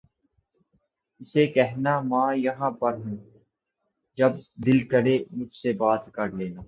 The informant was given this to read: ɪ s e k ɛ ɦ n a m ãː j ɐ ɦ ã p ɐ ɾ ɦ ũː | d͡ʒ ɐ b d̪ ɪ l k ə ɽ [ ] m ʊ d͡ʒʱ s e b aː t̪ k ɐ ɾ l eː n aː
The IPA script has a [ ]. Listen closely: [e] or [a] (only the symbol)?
e